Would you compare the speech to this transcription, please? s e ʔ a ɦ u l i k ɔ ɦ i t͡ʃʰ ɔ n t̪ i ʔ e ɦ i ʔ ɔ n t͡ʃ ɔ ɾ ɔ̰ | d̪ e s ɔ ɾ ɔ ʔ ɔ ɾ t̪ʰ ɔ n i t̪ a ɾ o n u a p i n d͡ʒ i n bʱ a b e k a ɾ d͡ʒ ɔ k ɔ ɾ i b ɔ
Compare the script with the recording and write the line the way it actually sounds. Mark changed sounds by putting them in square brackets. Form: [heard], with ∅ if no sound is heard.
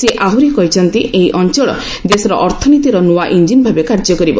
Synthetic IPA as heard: s e ʔ a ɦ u [ɾ] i k ɔ ɦ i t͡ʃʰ ɔ n t̪ i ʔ e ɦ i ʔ ɔ n t͡ʃ ɔ [ɭ] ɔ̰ | d̪ e s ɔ ɾ ɔ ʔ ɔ ɾ t̪ʰ ɔ n i t̪ [i] ɾ [ɔ] n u a [ʔ] i n d͡ʒ i n bʱ a b e k a ɾ d͡ʒ ɔ k ɔ ɾ i b ɔ